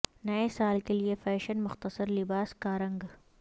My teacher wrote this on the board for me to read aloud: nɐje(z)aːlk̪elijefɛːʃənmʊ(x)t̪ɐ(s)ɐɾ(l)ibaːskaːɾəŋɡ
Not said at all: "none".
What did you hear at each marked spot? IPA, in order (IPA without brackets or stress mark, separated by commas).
s, x, s, l